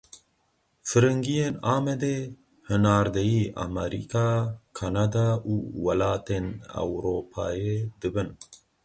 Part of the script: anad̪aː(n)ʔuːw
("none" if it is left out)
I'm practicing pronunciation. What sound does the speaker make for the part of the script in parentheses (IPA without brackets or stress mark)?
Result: none